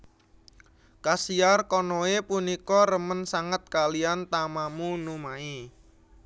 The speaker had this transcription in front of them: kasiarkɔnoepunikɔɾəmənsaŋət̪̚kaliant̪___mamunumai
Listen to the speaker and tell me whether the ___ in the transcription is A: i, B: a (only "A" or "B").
B